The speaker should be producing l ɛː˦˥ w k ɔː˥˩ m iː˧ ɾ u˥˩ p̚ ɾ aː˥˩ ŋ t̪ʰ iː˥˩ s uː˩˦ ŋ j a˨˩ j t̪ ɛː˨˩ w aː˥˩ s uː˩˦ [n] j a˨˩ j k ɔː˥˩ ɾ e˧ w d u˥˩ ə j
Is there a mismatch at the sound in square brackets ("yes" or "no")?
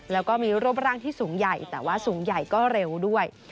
yes